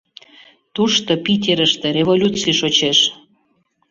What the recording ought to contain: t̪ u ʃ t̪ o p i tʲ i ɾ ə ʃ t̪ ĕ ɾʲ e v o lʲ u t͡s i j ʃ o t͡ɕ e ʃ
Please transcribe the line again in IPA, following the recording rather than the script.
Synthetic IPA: t̪ u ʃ t̪ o p i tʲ e ɾ ə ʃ t̪ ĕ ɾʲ e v o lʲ u t͡s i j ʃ o t͡ɕ e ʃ